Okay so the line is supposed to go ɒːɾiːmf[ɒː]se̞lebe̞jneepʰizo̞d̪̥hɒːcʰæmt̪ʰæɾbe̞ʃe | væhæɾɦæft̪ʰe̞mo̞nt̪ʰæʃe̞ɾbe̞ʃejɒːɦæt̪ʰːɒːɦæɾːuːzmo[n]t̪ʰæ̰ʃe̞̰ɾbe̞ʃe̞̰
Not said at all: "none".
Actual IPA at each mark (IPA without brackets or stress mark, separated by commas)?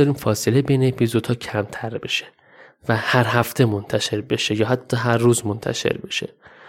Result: ɒː, n